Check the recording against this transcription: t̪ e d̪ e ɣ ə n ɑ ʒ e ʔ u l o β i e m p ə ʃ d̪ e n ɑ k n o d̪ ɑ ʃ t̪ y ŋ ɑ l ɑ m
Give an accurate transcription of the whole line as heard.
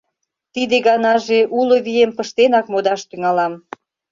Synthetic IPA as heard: t̪ i d̪ e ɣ ɑ n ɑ ʒ e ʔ u l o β i e m p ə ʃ t̪ e n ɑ k m o d̪ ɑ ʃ t̪ y ŋ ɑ l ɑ m